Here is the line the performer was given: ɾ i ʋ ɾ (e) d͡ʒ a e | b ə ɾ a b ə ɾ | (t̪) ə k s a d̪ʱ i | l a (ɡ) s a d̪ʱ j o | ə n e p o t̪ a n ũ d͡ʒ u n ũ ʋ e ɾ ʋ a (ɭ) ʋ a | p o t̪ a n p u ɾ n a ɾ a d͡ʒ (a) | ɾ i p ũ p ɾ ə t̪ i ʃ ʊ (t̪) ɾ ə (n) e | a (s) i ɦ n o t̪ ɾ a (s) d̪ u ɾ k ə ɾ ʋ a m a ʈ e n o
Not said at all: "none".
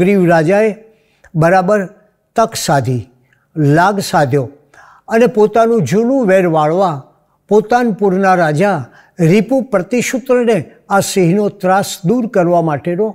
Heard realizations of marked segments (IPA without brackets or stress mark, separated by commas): a, t̪, ɡ, ɭ, a, t̪, n, s, s